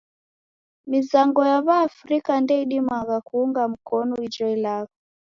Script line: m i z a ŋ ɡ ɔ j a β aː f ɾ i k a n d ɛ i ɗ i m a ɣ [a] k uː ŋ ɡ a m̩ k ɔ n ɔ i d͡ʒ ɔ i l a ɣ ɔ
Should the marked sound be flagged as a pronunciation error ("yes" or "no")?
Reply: no